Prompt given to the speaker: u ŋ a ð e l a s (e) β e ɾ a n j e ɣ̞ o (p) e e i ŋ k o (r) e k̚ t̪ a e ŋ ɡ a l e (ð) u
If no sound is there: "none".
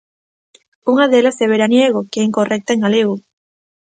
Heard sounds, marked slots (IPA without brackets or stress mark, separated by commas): e, k, r, ɣ